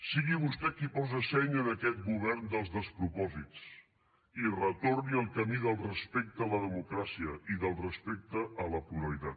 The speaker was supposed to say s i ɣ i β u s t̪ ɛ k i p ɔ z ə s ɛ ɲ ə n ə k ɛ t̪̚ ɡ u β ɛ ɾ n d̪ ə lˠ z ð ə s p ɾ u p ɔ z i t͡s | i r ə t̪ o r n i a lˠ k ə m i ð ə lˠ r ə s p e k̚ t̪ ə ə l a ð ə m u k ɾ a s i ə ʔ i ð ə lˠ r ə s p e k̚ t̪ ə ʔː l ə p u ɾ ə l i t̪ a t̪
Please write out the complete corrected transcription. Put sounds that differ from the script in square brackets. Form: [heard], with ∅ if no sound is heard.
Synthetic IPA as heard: s i ɣ i β u s t̪ ɛ k i p ɔ z ə s ɛ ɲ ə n ə k ɛ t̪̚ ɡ u β ɛ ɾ n d̪ ə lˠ z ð ə s p ɾ u p ɔ z i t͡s | i r ə t̪ o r n i [ə] lˠ k ə m i ð ə lˠ r ə s p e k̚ t̪ ə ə l [ə] ð ə m u k ɾ a s i ə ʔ i ð ə lˠ r ə s p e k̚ t̪ ə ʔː l ə p u ɾ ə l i t̪ a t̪